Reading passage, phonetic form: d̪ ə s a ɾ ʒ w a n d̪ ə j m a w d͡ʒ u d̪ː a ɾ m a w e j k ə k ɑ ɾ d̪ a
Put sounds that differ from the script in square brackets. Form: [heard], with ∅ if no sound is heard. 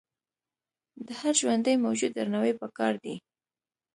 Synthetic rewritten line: d̪ ə [h] a ɾ ʒ w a n d̪ ə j m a w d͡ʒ u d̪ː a ɾ [n] a w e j [p] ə k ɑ ɾ d̪ [i]